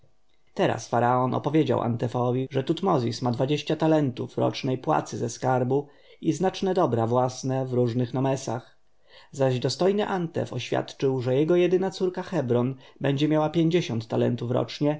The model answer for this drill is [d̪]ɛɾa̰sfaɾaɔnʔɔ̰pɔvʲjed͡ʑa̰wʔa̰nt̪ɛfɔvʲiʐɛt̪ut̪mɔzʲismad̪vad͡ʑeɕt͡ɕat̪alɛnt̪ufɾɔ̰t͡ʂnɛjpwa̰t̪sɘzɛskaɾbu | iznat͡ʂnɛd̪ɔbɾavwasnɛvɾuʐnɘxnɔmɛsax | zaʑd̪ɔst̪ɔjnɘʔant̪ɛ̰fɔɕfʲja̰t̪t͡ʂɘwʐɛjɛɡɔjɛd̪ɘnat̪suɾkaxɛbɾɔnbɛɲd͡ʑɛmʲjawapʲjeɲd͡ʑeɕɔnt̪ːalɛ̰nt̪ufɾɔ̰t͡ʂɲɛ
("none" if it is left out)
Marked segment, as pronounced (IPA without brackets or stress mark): t̪